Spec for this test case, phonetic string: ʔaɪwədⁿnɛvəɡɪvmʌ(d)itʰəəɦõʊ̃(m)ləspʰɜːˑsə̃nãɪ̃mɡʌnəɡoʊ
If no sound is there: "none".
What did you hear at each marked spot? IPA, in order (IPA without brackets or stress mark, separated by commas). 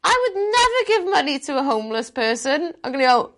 n, m